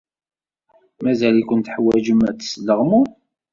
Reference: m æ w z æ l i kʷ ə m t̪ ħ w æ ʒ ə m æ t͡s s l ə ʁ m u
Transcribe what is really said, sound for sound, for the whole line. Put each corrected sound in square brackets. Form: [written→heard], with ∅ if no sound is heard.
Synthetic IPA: m æ [w→∅] z æ l i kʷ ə [m→n] t̪ ħ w æ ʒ ə m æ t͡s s l ə ʁ m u